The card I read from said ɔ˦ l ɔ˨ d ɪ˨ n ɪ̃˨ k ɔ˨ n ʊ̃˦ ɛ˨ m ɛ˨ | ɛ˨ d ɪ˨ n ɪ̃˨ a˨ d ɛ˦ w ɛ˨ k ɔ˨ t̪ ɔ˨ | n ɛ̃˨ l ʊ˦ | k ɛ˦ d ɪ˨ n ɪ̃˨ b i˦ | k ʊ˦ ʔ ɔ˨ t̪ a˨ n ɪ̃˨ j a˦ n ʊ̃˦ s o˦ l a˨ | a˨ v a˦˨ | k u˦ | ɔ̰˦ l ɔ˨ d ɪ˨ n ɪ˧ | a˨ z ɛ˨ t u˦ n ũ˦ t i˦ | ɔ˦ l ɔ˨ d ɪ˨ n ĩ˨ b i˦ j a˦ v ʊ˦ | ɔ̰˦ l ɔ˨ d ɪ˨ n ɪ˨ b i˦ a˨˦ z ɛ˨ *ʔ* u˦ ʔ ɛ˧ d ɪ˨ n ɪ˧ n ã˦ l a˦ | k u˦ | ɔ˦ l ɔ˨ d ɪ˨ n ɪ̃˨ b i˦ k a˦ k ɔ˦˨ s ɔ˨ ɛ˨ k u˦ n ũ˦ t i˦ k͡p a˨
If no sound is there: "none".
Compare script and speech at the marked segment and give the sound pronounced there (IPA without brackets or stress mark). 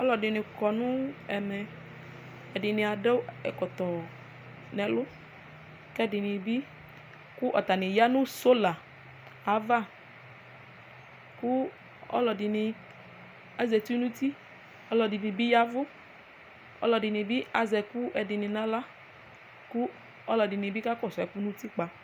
k